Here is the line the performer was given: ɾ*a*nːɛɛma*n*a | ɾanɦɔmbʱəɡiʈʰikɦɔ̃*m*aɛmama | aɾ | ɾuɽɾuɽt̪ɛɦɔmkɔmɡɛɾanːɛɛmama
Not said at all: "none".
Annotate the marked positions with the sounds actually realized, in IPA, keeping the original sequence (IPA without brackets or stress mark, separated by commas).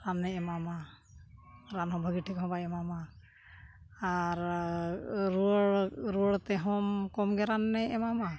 a, m, b